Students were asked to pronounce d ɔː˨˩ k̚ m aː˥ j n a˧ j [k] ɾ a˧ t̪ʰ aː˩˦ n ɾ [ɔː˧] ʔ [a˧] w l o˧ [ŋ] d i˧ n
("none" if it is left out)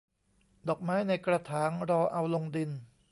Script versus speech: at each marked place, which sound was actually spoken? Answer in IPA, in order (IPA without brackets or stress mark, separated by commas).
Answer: k, ɔː˧, a˧, ŋ